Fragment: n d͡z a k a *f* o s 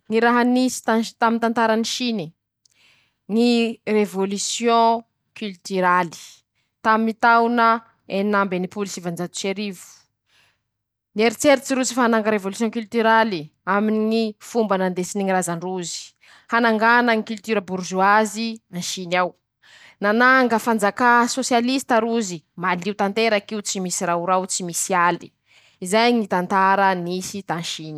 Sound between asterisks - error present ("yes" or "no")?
yes